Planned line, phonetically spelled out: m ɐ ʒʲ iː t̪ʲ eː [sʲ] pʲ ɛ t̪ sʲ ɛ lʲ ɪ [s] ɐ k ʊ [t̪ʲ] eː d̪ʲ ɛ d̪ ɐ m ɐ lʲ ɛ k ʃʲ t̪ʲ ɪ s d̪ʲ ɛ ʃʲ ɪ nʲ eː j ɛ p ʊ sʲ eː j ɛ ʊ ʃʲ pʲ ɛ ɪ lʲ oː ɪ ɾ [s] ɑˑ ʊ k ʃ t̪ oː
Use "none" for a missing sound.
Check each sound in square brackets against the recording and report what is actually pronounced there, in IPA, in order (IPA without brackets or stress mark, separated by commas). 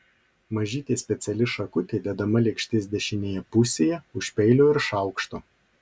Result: sʲ, ʃ, t̪ʲ, ʃ